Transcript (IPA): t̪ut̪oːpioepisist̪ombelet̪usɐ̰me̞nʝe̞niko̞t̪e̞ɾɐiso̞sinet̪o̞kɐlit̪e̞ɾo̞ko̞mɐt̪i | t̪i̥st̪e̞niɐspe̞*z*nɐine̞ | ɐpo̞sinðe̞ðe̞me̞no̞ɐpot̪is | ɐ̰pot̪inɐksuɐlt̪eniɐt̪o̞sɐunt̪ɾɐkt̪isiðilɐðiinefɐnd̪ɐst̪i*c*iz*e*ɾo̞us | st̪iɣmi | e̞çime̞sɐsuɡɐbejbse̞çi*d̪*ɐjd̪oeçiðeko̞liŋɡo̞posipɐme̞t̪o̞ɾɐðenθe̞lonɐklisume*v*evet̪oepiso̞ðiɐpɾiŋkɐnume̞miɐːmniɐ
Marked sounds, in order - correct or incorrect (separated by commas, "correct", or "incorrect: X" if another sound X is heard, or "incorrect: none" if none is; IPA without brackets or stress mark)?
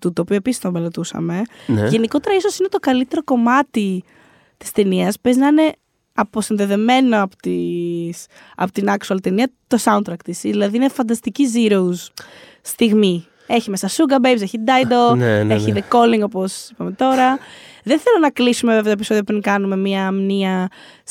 correct, correct, incorrect: i, correct, correct